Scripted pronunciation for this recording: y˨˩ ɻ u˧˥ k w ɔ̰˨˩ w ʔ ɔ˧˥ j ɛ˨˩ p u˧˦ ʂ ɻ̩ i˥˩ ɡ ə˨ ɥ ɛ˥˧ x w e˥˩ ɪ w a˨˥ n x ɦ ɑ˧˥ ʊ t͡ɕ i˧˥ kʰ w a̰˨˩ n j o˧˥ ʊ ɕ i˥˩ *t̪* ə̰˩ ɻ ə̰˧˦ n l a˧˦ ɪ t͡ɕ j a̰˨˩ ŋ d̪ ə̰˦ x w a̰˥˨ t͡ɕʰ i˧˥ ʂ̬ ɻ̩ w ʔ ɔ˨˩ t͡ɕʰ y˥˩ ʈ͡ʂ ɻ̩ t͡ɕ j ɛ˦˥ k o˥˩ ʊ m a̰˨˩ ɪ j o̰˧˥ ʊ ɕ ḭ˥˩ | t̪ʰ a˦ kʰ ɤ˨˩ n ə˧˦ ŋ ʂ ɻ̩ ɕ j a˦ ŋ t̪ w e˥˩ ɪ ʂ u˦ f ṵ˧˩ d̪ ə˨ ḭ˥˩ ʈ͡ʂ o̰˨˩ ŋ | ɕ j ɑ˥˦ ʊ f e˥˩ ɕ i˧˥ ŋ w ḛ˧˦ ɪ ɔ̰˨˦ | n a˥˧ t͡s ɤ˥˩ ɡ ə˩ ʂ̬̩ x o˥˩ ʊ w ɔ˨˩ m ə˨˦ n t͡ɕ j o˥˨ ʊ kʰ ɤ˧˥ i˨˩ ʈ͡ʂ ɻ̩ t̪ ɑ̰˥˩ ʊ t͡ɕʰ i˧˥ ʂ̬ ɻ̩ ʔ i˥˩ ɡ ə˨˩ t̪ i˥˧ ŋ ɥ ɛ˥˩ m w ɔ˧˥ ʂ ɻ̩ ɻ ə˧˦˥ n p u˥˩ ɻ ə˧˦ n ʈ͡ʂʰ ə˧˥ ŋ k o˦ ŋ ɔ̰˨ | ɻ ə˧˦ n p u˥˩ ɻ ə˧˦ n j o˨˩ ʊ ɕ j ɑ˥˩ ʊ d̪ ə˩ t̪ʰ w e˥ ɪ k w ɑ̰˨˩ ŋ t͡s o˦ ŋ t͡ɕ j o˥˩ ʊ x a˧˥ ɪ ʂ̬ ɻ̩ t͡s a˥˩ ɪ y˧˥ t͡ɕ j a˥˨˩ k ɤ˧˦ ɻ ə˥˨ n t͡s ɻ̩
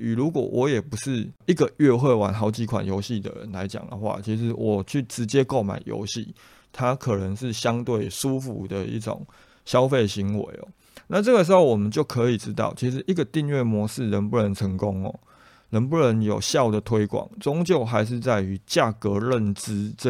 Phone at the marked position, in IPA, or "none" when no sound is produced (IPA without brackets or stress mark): d̪